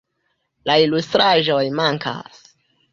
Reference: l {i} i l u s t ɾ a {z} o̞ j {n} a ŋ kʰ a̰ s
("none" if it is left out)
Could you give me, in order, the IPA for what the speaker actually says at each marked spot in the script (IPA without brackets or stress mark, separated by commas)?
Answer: a, ʒ, m